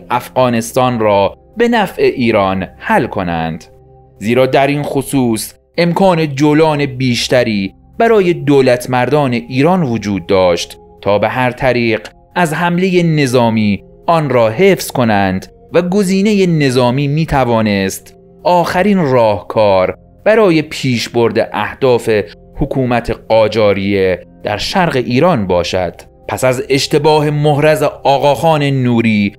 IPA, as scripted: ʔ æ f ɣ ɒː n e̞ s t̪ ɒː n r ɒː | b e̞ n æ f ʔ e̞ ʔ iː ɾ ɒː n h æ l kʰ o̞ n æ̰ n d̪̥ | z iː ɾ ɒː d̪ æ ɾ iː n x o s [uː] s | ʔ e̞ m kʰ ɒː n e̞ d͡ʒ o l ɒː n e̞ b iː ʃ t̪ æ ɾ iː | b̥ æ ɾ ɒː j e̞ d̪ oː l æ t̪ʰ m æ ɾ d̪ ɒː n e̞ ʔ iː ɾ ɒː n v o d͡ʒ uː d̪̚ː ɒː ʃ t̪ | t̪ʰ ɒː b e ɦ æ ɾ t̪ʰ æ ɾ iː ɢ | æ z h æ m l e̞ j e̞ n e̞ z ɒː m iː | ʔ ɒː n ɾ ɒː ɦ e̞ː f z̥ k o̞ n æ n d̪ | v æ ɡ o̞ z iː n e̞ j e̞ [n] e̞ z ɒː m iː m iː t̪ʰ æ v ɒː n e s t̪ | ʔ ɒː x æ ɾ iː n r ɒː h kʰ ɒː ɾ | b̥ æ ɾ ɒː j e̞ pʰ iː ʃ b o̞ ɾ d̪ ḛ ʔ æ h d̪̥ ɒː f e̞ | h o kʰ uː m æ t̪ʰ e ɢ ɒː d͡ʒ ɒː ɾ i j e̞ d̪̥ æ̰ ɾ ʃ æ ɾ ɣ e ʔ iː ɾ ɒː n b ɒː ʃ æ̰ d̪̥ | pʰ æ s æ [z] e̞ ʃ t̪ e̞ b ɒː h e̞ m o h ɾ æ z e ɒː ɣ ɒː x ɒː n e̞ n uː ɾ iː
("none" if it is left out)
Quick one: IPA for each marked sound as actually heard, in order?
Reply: uː, n, z

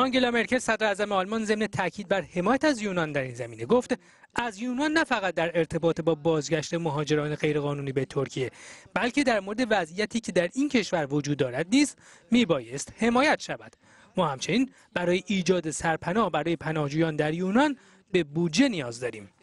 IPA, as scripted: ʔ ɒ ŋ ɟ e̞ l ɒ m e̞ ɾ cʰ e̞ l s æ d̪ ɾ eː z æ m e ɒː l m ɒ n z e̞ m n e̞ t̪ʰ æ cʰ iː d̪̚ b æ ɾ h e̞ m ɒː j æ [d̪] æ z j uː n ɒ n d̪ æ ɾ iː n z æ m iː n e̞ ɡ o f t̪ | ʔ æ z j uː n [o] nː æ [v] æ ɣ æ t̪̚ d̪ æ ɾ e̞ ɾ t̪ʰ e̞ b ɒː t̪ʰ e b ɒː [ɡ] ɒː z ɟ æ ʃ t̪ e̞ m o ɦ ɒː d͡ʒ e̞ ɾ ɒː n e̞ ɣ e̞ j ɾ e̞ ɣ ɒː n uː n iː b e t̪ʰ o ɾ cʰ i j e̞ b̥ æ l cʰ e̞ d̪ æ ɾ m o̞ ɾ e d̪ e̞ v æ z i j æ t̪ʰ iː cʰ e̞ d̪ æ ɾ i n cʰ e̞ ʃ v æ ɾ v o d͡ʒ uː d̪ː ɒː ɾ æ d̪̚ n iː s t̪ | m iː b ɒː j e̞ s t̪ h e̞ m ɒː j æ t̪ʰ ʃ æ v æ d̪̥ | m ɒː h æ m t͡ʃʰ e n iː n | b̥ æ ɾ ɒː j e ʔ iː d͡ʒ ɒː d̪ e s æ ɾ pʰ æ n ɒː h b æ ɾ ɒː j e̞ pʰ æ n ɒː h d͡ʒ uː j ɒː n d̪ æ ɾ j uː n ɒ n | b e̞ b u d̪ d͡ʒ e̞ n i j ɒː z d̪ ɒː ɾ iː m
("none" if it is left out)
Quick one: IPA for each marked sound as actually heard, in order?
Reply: t̪, ɒ, f, b

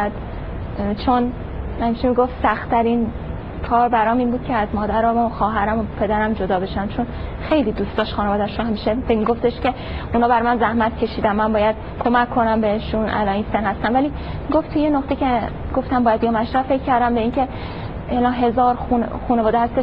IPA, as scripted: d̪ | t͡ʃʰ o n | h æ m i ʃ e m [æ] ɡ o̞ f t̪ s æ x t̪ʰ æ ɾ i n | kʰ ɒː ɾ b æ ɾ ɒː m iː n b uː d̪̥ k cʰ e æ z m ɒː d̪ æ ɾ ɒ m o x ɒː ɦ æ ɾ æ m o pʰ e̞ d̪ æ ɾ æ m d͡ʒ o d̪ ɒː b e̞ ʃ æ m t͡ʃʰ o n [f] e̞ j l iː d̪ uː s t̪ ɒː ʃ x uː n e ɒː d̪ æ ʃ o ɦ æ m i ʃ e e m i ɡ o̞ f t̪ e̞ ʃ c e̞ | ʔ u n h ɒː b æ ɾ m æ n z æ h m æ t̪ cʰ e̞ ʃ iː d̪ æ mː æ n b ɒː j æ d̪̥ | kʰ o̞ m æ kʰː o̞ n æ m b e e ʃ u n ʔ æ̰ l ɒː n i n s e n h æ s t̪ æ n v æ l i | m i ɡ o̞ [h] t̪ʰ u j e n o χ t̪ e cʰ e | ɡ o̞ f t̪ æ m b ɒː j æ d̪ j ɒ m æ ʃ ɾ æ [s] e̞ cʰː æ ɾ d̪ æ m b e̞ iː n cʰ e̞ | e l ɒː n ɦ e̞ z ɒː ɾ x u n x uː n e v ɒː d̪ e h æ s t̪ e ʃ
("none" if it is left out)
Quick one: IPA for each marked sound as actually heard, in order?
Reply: i, x, f, f

